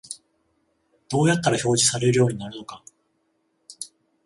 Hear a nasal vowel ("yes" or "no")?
no